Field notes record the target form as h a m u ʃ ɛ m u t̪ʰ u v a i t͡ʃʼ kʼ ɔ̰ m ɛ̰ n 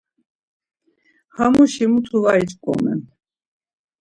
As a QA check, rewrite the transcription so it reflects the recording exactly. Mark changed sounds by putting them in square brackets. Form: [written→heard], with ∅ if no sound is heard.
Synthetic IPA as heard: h a m u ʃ [ɛ→i] m u t̪ʰ u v a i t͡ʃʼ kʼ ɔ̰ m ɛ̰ n